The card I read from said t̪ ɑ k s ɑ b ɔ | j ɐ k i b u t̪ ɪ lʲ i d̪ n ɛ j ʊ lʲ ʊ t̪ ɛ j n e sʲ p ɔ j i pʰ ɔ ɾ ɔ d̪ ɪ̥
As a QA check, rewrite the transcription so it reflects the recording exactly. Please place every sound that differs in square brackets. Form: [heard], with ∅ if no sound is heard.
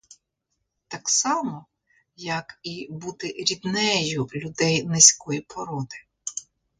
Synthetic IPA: t̪ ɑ k s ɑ [m] ɔ | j ɐ k i b u t̪ ɪ [ɾʲ] i d̪ n ɛ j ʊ lʲ ʊ [d̪] ɛ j n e sʲ [k] ɔ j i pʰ ɔ ɾ ɔ d̪ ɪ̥